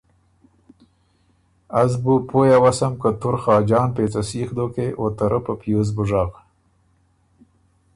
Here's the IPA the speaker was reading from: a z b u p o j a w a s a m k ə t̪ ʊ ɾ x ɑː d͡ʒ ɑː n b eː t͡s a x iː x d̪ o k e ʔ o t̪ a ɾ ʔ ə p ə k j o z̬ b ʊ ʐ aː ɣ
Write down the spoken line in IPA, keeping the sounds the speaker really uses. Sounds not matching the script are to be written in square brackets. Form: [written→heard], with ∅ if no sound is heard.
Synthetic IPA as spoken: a z b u p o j a w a s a m k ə t̪ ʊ ɾ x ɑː d͡ʒ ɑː n [b→p] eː t͡s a [x→s] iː x d̪ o k e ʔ o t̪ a ɾ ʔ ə p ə [k→p] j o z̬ b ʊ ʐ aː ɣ